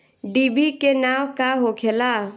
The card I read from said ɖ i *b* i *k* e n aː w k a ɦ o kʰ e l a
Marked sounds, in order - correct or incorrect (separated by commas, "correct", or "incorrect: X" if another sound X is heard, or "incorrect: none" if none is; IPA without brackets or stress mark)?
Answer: correct, correct